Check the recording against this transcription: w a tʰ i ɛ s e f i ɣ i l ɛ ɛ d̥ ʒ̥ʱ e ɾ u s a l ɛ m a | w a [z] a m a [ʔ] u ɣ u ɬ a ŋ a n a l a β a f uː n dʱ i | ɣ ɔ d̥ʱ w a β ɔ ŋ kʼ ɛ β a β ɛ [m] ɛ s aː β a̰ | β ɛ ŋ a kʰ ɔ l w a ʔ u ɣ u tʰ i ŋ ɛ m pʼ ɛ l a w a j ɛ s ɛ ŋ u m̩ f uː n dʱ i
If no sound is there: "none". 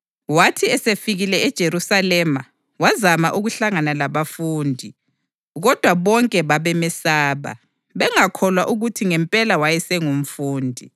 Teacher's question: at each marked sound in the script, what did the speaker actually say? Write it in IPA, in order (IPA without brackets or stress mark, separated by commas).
z, ʔ, m